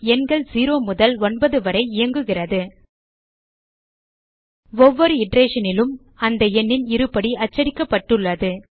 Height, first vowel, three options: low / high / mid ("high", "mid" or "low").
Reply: mid